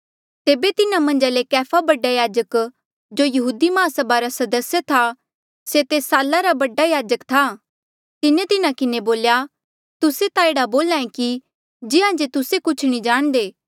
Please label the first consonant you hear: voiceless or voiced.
voiceless